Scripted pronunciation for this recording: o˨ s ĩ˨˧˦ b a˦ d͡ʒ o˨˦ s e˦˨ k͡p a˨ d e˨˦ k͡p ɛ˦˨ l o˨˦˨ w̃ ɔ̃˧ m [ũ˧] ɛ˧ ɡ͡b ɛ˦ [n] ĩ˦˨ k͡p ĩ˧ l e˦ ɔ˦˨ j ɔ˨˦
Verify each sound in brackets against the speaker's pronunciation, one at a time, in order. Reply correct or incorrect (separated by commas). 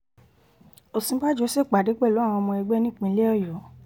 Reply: incorrect, correct